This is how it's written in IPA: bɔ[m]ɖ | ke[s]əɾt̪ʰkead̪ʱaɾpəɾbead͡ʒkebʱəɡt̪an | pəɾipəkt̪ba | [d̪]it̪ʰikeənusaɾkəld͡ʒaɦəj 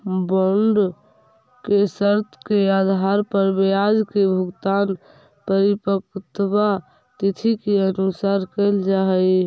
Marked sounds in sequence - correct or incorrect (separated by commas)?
incorrect, correct, incorrect